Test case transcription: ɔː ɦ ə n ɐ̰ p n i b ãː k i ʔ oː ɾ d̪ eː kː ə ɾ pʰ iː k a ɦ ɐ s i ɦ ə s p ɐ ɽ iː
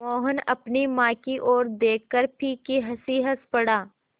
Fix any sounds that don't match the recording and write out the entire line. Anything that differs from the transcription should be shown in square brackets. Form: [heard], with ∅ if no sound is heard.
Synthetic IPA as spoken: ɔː ɦ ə n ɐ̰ p n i [m] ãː k i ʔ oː ɾ d̪ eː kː ə ɾ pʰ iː k [i] ɦ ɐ s i ɦ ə s p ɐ ɽ [aː]